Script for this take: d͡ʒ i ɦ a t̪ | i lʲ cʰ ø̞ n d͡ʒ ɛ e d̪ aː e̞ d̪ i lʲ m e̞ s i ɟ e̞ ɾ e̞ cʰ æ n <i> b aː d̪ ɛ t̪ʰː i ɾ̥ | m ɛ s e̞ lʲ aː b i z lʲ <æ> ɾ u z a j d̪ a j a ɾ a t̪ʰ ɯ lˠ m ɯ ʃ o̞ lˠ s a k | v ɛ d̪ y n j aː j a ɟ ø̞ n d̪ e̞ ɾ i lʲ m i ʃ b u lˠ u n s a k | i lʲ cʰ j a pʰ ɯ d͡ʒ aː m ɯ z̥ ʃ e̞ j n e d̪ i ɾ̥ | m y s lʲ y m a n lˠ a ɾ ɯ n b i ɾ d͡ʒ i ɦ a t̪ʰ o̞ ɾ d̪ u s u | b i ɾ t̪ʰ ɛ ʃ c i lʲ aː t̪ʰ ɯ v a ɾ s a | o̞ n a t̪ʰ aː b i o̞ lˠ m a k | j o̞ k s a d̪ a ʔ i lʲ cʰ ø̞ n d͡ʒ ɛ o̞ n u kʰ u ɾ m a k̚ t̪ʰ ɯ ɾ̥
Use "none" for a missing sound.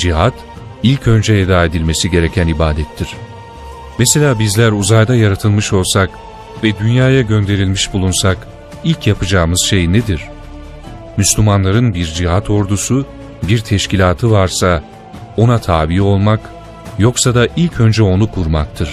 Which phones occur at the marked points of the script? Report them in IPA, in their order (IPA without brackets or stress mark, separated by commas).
i, æ